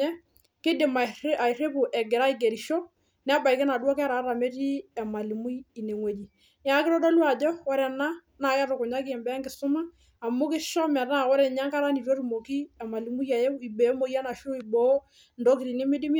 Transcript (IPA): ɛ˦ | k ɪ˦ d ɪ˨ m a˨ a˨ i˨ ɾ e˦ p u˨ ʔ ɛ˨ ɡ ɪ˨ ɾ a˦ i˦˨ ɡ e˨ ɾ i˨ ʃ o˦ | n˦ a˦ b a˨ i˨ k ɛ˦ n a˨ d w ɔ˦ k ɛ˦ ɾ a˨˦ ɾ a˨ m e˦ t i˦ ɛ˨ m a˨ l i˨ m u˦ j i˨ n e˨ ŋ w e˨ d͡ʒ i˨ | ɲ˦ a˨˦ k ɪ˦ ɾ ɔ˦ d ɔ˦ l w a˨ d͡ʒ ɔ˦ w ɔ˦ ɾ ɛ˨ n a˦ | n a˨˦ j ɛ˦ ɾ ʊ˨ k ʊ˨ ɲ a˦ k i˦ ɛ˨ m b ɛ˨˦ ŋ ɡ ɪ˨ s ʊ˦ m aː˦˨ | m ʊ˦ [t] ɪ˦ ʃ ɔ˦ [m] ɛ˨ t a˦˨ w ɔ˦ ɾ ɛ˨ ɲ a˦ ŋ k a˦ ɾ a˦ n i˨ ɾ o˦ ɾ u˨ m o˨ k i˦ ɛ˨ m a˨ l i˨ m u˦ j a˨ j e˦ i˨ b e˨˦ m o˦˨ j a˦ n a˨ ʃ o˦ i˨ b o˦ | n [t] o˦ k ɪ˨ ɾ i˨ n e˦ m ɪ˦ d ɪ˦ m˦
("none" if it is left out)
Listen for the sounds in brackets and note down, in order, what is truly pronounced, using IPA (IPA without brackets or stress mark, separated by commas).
k, m, d